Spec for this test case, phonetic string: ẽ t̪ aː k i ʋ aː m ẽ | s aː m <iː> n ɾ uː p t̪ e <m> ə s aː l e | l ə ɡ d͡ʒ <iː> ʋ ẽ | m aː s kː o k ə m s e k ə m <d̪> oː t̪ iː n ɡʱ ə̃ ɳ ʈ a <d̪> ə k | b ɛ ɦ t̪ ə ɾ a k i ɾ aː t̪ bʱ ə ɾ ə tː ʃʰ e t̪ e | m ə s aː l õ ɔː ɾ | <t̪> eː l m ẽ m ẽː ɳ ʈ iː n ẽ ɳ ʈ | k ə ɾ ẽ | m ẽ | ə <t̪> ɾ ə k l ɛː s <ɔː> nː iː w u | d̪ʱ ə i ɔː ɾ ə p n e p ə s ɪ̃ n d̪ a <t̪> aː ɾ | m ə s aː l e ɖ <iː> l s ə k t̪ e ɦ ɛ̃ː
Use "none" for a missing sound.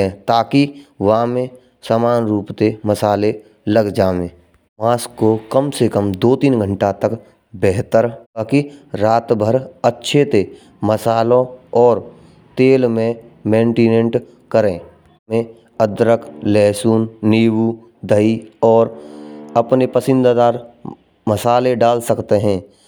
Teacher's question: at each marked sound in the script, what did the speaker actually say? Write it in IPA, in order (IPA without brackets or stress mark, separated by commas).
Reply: aː, m, aː, d̪, t̪, t̪, d̪, uː, d̪, aː